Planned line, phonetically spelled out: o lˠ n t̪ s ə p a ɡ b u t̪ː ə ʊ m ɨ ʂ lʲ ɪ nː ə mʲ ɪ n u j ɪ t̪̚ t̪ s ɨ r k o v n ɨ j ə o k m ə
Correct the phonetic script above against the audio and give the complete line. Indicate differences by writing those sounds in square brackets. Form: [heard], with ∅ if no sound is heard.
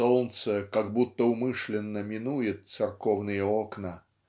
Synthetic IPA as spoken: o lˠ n t̪ s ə [k] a ɡ b u t̪ː ə ʊ m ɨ ʂ lʲ ɪ nː ə mʲ ɪ n u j ɪ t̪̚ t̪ s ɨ r k o v n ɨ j ə o k [n] ə